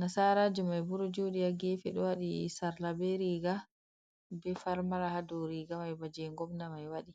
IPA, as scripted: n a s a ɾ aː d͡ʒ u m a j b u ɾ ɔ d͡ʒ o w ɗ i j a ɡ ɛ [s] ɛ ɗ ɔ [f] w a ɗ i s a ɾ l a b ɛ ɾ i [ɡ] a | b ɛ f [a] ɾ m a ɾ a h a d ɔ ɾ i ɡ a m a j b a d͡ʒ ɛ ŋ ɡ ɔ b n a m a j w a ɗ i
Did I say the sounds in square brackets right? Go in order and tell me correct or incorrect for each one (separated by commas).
incorrect, incorrect, correct, correct